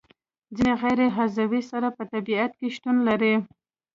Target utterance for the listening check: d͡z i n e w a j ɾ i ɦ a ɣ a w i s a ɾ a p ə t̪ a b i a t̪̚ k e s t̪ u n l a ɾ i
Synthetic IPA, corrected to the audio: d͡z i n e ɣ a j ɾ e ɦ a z a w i s a ɾ a p ə t̪ a b i a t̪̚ k e ʃ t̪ u n l a ɾ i